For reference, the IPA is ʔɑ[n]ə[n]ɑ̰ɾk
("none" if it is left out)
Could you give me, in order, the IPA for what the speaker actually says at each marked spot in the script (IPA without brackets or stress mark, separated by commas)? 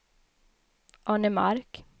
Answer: n, m